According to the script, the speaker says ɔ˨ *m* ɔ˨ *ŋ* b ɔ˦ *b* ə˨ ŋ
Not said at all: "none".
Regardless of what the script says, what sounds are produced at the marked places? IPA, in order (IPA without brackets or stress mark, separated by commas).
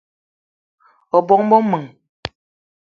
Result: b, ŋ, m